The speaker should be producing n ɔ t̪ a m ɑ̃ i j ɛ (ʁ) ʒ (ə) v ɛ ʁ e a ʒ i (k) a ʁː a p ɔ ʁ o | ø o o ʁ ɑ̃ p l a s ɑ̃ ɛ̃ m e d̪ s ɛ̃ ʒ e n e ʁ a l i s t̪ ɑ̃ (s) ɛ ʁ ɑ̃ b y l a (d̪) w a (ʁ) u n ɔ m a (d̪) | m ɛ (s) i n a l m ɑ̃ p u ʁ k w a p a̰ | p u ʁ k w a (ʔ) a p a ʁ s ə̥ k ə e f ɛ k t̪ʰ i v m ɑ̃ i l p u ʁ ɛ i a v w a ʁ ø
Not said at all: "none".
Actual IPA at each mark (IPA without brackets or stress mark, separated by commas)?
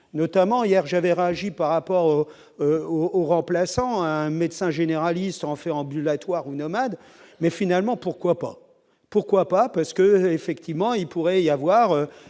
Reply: ʁ, a, p, f, t̪, ʁ, d̪, f, p